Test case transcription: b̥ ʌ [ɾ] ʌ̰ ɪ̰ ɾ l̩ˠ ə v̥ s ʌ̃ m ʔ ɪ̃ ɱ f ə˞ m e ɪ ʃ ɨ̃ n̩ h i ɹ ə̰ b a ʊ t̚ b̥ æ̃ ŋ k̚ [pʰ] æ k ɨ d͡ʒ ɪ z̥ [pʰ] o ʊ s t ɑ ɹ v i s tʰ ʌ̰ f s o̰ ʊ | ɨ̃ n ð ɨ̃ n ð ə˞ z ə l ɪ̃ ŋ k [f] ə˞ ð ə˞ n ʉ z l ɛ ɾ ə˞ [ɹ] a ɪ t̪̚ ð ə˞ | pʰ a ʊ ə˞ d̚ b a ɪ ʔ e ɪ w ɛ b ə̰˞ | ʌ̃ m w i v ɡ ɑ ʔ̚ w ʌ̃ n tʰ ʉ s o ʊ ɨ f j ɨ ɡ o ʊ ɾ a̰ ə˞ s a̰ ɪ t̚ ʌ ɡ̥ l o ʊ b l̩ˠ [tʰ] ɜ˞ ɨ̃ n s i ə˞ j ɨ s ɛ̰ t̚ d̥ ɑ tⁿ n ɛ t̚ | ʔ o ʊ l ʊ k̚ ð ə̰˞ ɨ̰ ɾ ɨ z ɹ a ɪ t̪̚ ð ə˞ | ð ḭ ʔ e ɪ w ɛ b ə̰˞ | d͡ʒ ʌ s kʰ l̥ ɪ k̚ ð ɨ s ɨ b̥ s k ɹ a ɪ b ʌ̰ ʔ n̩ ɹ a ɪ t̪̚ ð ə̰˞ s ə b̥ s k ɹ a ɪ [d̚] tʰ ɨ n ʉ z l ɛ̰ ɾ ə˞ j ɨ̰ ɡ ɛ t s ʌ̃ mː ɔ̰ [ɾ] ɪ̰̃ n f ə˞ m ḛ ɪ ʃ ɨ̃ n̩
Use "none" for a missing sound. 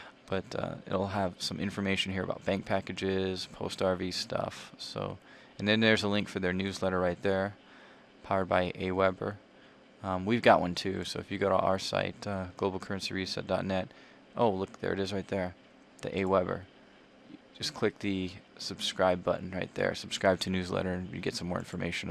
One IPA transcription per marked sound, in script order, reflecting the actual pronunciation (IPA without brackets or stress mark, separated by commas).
ɾ, pʰ, pʰ, f, ɹ, kʰ, b̚, ɹ